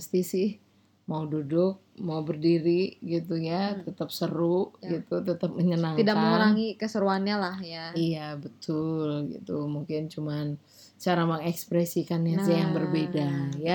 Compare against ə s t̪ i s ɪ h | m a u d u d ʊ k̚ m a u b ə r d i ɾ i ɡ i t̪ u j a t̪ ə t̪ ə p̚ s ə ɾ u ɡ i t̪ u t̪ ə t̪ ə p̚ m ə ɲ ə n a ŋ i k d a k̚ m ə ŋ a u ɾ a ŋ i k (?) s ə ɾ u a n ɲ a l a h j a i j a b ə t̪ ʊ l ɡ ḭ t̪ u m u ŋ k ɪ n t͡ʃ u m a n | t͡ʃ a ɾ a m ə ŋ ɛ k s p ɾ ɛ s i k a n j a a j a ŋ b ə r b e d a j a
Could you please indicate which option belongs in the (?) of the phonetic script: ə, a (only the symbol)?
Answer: ə